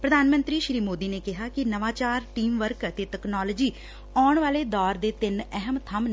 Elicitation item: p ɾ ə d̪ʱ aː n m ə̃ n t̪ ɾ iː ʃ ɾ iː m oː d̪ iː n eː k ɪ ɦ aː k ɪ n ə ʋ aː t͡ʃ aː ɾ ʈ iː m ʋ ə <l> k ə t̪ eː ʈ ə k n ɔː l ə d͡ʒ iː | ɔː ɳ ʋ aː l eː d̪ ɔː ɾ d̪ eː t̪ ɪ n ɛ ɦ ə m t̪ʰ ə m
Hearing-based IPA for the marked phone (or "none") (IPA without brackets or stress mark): ɾ